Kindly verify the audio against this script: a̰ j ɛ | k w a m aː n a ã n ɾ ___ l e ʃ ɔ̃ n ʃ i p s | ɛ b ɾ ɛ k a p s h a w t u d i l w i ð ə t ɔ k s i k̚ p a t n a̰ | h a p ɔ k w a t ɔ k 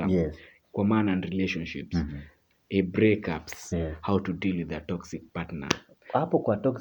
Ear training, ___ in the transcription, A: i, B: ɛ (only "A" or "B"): A